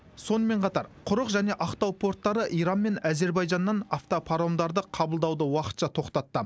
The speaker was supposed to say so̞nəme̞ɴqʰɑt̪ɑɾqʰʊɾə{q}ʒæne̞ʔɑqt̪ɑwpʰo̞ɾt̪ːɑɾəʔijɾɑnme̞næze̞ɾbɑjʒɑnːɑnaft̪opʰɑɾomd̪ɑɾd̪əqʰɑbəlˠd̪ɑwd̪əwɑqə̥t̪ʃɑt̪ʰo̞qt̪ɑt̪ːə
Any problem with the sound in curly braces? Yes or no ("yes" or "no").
no